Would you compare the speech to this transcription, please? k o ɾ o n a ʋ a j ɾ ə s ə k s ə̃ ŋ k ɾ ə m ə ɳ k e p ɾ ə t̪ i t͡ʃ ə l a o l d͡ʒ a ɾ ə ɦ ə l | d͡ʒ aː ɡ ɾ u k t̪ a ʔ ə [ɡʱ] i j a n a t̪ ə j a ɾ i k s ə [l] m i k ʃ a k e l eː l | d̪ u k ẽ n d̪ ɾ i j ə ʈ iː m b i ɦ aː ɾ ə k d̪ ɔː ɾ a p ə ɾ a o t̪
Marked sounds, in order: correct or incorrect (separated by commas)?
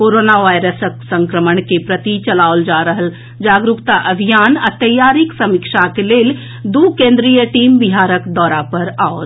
incorrect, incorrect